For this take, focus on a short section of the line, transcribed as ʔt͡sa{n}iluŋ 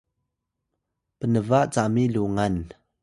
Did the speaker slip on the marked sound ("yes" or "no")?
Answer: yes